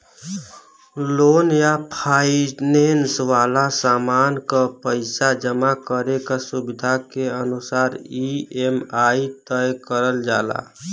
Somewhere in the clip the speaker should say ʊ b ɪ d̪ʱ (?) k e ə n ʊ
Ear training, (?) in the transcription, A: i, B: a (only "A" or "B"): B